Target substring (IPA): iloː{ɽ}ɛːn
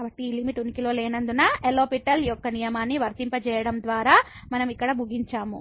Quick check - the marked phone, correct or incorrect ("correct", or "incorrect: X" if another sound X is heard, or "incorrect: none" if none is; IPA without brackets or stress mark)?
incorrect: l